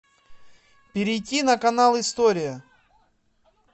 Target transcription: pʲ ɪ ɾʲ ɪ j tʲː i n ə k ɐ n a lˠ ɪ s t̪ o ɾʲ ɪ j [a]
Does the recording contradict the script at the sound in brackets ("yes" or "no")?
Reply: yes